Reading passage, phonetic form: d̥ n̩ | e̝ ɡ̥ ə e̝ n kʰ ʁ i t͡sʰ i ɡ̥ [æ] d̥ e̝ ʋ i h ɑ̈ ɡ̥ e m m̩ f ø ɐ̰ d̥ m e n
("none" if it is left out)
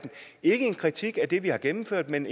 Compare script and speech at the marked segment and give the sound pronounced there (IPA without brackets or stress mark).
æ